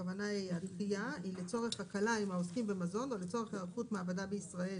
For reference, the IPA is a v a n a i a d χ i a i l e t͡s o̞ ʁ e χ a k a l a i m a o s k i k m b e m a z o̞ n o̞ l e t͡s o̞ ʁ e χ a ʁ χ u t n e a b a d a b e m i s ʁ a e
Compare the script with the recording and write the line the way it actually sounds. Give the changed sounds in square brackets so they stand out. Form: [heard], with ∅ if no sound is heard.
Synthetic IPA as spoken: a v a n a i a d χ i a i l e t͡s o̞ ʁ e χ a k a l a i m a o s k i [∅] m b e m a z o̞ n o̞ l e t͡s o̞ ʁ e χ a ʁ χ u t [m] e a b a d a b e [∅] i s ʁ a e